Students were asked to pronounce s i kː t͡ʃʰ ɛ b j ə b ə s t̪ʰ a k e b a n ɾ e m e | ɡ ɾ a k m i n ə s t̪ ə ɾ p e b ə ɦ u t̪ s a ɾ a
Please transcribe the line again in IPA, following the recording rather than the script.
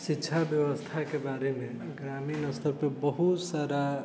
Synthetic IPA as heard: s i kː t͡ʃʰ a b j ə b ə s t̪ʰ a k e b a ɾ e m e | ɡ ɾ a m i n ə s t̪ ə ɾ p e b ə ɦ u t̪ s a ɾ a